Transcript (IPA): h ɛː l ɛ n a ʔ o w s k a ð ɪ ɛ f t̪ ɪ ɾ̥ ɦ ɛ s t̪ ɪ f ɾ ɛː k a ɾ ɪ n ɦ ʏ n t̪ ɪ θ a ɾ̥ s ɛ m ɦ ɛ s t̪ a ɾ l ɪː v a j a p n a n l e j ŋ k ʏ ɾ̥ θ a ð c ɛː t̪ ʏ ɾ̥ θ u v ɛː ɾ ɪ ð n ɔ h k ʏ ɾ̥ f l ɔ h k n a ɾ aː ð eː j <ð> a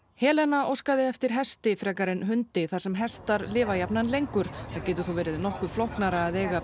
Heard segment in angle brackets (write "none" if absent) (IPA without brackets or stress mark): ɣ